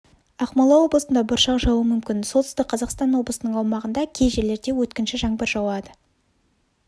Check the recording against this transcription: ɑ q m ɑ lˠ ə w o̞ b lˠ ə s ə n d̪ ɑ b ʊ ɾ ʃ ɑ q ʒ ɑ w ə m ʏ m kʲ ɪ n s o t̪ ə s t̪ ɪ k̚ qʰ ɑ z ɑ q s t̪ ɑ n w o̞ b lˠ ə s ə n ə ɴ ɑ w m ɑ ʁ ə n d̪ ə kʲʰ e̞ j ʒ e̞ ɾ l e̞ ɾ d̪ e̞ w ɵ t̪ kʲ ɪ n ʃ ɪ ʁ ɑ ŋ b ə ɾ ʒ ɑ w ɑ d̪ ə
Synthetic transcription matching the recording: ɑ q m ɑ lˠ ɑ w o̞ b lˠ ə s ə n d̪ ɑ b ʊ ɾ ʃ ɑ q ʒ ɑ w ə m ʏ m kʲ ɪ n s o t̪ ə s t̪ ɪ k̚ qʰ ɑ z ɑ q s t̪ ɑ n w o̞ b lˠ ə s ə n ə ɴ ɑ w m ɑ ʁ ə n d̪ ɑ kʲʰ e̞ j ʒ e̞ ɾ l e̞ ɾ d̪ e̞ w ɵ t̪ kʲ ɪ n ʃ ɪ ʒ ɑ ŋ b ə ɾ ʒ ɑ w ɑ d̪ ə